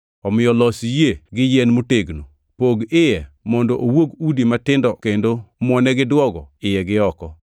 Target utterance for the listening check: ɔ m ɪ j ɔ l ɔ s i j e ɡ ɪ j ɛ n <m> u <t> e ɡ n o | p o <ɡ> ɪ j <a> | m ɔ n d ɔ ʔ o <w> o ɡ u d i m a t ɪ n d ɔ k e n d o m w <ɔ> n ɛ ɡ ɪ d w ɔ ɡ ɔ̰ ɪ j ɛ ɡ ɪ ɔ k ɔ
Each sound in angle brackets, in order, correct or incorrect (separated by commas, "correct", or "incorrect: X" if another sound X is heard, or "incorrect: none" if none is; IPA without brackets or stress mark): correct, correct, correct, incorrect: ɛ, correct, correct